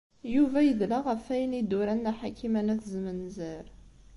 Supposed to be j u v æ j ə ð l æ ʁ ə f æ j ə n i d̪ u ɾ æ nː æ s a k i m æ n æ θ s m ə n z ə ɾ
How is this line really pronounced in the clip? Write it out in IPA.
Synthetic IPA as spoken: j u v æ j ə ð l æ ʁ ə f æ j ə n i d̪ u ɾ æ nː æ ħ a k i m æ n æ θ z m ə n z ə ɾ